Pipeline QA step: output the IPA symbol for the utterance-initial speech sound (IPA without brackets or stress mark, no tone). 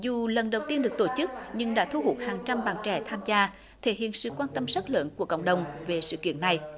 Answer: z